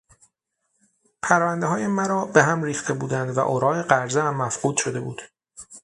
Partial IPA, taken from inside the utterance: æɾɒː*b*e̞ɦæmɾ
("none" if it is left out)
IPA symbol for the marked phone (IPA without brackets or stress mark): b